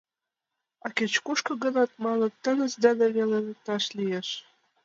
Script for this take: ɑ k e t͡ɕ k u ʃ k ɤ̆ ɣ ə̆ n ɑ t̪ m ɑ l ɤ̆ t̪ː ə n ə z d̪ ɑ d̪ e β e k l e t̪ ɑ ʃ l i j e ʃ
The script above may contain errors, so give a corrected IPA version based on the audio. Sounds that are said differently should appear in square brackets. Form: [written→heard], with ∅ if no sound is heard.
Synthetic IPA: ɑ k e t͡ɕ k u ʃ k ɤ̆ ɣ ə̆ n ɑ t̪ m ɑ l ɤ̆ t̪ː ə n ə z d̪ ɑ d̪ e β e [k→∅] l e t̪ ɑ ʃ l i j e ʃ